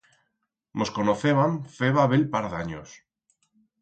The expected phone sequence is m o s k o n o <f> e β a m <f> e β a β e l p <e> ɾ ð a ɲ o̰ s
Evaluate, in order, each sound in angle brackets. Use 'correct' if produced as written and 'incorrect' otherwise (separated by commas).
incorrect, correct, incorrect